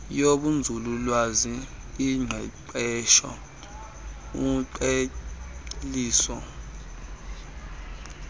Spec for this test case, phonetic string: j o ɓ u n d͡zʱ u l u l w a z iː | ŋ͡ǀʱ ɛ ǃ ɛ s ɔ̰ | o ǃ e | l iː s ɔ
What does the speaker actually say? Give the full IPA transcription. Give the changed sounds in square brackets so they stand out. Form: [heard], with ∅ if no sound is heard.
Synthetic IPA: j o ɓ u n d͡zʱ u l u l w a z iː | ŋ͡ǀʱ ɛ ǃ ɛ [ʃ] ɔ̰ | [u] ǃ e | l iː s ɔ